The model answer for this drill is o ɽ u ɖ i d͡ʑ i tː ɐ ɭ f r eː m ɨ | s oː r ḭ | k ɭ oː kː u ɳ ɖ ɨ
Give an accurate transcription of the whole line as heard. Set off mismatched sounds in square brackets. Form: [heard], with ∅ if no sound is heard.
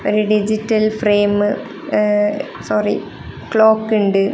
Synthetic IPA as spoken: o [ɾ] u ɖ i d͡ʑ i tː ɐ [l] f r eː m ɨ | s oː r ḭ | k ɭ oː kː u ɳ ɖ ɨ